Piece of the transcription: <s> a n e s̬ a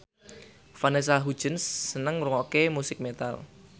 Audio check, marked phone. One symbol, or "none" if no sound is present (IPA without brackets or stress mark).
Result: f